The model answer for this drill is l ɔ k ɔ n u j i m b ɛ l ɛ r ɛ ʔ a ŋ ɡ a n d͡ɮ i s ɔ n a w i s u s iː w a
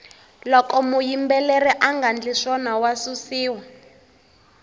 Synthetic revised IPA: l ɔ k ɔ m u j i m b ɛ l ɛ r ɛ ʔ a ŋ ɡ a n d͡ɮ i ʂ ɔ n a w a s u s iː w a